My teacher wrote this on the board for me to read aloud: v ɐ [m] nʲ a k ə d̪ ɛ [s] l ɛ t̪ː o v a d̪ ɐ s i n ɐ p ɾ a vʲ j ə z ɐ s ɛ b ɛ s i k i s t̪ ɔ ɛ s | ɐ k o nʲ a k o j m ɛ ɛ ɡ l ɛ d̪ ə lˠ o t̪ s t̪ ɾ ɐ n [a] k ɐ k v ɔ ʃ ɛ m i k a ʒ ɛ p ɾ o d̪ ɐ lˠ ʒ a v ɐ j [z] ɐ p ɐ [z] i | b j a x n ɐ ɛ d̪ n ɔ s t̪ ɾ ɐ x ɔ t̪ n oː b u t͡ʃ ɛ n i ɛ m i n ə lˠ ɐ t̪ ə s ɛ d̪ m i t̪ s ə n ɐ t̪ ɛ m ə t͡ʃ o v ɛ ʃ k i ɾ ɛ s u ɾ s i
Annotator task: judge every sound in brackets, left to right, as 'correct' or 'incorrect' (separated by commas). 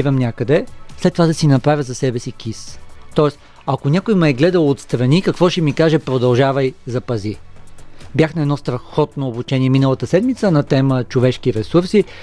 correct, correct, incorrect, correct, correct